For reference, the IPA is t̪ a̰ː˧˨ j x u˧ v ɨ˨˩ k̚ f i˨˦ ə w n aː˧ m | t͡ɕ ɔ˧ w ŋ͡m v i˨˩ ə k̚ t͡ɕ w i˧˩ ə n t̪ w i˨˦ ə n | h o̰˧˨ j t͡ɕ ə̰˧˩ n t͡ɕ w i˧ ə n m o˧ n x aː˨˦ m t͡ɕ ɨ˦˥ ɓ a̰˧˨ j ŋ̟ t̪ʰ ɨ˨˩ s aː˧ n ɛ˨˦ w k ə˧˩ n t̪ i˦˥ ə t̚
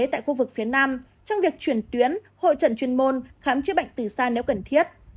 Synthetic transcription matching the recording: t̪ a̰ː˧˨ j x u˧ v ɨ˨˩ k̚ f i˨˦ ə n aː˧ m | t͡ɕ ɔ˧ w ŋ͡m v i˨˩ ə k̚ t͡ɕ w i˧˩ ə n t̪ w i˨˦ ə n | h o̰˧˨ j t͡ɕ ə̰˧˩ n t͡ɕ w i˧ ə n m o˧ n x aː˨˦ m t͡ɕ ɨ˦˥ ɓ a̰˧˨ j ŋ̟ t̪ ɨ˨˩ s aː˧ n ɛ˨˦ w k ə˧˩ n t̪ʰ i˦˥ ə t̚